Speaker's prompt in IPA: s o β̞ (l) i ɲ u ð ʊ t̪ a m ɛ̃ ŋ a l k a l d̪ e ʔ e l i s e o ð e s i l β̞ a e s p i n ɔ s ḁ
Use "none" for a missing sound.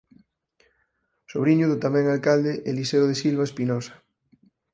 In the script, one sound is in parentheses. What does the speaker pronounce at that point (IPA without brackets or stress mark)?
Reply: ɾ